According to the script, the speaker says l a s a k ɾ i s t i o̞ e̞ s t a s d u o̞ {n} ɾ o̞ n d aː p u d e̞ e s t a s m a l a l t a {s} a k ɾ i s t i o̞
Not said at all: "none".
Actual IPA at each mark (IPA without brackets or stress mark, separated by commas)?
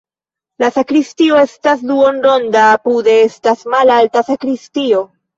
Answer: n, s